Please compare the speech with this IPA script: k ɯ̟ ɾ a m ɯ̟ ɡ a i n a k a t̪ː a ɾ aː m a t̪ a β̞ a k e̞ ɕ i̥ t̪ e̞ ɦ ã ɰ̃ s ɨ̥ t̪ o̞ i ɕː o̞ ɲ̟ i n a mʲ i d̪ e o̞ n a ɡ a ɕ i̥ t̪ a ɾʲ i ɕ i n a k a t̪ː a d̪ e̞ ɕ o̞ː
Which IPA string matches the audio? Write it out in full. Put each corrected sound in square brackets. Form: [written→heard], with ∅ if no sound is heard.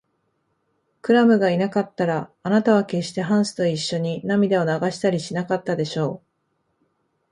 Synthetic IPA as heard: k ɯ̟ ɾ a m ɯ̟ ɡ a i n a k a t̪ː a ɾ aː [m→n] a t̪ a β̞ a k e̞ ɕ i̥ t̪ e̞ ɦ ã ɰ̃ s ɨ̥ t̪ o̞ i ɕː o̞ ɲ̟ i n a mʲ i d̪ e o̞ n a ɡ a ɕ i̥ t̪ a ɾʲ i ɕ i n a k a t̪ː a d̪ e̞ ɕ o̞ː